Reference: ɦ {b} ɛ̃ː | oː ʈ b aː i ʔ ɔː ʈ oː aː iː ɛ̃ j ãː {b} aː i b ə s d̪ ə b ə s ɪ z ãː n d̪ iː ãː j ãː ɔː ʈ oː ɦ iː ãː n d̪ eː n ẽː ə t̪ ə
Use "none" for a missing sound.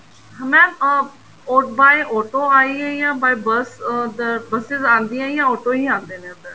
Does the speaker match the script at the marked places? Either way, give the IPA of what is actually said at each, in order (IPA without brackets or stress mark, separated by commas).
m, b